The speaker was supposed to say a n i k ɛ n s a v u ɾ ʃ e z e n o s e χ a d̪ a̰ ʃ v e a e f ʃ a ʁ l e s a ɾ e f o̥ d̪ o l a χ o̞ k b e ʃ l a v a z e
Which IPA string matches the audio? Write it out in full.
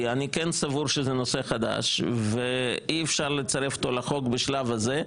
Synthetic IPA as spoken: a n i k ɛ n s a v u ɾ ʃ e z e n o s e χ a d̪ a̰ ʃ v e i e f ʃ a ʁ l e t͡s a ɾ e f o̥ t̪ o l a χ o̞ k b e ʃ l a v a z e